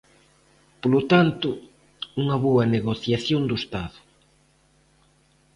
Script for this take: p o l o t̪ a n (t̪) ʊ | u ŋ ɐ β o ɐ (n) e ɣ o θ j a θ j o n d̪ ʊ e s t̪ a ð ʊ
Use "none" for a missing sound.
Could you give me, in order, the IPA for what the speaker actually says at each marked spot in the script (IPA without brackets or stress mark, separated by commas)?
t̪, n